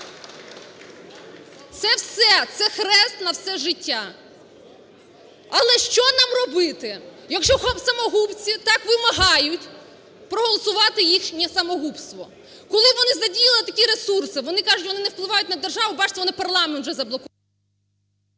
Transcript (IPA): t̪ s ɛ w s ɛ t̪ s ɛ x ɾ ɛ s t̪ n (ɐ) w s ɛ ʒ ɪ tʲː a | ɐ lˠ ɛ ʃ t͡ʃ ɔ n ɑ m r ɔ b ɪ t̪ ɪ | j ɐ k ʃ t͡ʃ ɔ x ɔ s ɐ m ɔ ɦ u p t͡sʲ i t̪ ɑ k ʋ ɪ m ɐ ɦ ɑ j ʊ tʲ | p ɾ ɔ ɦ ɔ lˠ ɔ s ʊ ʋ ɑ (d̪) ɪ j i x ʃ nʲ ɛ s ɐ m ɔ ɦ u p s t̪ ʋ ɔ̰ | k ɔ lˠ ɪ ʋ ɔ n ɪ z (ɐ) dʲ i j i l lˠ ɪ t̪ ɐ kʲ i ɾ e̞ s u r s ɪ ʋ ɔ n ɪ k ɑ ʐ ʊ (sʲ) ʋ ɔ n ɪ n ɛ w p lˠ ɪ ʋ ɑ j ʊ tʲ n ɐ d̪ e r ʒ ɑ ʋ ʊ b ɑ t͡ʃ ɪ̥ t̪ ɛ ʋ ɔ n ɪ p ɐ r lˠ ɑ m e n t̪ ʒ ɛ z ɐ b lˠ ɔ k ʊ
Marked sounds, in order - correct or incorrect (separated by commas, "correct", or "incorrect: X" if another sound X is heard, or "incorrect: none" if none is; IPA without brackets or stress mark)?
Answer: correct, incorrect: t̪, correct, incorrect: tʲ